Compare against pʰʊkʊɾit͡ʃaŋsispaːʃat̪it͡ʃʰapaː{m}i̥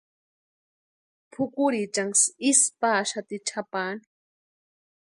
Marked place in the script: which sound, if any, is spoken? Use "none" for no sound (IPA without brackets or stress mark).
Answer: n